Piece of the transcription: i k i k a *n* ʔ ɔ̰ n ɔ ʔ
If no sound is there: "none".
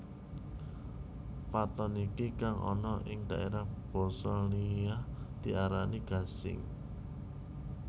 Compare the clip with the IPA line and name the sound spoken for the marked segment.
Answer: ŋ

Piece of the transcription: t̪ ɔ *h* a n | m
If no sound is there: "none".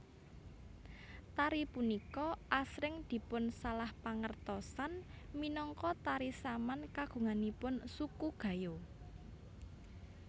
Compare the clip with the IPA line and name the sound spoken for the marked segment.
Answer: s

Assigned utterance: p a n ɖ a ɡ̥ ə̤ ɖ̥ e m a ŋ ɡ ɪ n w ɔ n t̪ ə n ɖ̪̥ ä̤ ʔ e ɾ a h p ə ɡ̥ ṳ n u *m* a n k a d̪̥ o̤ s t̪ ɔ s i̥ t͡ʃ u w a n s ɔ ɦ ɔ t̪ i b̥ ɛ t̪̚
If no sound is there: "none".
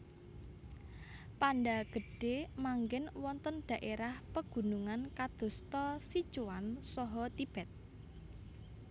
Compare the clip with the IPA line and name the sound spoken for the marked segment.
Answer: ŋ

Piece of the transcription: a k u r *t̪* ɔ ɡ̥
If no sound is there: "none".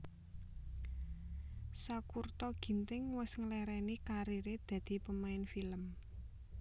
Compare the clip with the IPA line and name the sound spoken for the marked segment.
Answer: t̪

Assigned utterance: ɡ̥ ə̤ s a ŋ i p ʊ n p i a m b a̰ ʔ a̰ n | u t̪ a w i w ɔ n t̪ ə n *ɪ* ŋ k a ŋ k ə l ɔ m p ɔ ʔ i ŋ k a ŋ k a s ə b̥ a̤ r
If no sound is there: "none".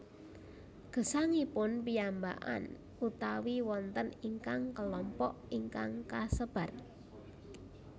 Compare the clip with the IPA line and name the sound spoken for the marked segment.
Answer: i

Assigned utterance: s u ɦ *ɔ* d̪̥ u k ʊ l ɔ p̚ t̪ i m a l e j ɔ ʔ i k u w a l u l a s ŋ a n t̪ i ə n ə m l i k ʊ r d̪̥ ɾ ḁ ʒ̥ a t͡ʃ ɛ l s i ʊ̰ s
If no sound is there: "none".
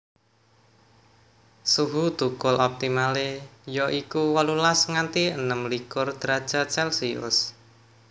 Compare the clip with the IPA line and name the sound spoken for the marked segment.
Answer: u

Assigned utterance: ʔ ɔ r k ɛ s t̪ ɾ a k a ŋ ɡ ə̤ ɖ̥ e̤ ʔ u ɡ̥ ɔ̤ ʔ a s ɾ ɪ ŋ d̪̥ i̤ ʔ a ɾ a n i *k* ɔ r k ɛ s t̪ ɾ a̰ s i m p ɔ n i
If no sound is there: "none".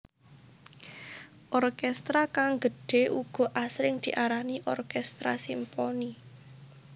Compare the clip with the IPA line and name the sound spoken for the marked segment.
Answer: ʔ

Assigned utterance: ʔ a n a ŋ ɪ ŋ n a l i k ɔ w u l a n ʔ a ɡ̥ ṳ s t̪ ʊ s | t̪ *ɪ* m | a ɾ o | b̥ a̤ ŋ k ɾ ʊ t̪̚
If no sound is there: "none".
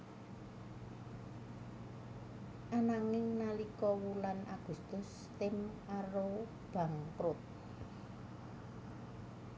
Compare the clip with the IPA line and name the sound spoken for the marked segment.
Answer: ɪ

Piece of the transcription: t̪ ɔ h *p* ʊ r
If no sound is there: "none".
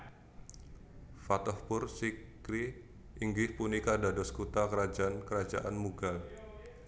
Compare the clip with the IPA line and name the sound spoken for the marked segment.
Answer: p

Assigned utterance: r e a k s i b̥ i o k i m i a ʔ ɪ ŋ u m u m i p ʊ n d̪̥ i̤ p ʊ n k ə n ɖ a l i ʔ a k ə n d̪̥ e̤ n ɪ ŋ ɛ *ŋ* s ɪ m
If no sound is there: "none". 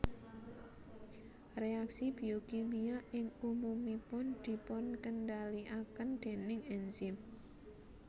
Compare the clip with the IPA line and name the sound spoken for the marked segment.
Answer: n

